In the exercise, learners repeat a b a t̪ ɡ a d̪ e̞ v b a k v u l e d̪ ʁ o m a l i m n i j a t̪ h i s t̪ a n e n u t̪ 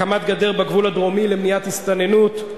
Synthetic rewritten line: a m a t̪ ɡ a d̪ e̞ ʁ b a ɡ v u l a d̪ ʁ o m i l e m n i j a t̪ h i s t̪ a n e n u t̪